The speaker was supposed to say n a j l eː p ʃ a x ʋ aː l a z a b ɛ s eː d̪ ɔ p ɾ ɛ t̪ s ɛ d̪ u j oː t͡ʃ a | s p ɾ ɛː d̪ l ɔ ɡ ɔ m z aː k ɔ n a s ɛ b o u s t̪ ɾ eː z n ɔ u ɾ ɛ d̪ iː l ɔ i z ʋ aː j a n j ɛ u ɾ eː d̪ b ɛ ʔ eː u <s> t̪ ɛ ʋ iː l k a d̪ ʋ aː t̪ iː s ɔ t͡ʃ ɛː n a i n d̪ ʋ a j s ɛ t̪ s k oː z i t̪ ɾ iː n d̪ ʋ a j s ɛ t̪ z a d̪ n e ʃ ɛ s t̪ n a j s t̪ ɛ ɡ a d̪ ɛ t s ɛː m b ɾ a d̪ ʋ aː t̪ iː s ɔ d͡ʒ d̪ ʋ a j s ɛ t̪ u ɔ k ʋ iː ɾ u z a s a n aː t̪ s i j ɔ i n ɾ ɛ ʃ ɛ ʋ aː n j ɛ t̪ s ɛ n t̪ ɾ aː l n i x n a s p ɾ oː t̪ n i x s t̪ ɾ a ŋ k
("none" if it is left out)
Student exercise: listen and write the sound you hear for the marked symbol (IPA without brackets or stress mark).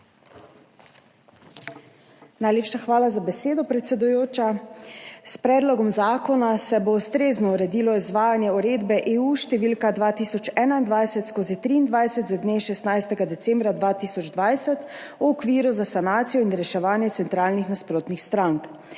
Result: ʃ